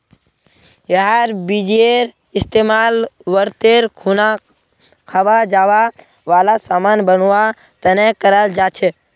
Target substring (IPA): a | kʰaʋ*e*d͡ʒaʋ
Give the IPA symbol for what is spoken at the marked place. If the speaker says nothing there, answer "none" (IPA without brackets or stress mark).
a